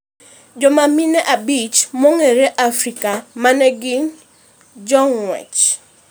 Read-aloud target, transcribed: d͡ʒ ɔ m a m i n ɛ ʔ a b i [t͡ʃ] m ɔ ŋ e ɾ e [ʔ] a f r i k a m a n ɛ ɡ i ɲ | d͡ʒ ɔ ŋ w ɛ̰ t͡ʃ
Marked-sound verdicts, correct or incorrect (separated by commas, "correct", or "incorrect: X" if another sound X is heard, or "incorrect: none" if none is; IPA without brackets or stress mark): correct, correct